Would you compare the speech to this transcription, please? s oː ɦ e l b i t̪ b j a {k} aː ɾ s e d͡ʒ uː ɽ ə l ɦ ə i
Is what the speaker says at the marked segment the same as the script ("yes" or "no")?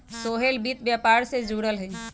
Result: no